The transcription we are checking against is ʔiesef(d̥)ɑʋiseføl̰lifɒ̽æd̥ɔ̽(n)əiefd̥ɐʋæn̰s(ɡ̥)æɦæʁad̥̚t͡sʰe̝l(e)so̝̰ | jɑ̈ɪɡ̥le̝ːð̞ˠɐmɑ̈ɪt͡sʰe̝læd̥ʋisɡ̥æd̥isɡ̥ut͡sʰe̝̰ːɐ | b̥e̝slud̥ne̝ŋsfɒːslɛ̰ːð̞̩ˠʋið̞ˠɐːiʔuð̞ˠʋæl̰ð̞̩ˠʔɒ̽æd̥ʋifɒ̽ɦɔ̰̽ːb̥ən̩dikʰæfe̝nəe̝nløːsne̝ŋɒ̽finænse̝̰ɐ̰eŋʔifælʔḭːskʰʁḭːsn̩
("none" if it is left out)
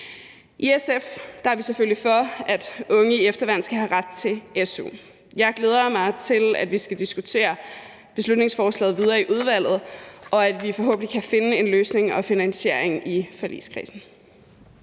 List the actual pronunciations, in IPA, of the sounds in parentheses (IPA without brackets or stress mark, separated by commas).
d̥, ŋ, ɡ̥, e